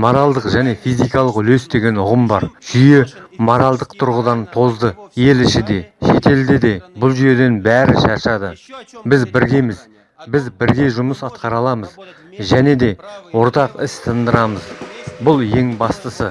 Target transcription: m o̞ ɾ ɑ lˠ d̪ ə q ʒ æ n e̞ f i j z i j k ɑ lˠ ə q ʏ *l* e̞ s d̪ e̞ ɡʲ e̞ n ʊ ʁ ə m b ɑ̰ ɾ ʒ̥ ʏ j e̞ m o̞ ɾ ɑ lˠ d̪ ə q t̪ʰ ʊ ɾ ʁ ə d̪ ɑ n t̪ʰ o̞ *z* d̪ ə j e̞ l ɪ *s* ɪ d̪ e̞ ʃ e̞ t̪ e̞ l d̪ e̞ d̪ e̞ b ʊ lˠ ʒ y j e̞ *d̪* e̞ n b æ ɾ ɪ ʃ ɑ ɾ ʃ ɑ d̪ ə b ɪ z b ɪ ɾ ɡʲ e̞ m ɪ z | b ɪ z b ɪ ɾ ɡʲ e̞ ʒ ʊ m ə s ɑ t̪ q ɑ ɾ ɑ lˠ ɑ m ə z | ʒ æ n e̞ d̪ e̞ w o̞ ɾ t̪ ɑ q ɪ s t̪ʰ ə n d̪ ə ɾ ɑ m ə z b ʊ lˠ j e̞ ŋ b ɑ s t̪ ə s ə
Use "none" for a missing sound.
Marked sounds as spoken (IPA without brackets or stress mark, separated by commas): l, z, ʃ, d̪